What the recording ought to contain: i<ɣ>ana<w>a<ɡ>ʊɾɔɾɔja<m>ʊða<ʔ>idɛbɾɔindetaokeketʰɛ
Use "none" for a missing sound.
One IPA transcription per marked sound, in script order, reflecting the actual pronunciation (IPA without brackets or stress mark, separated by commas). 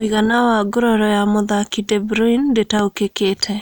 ɣ, w, ɡ, m, k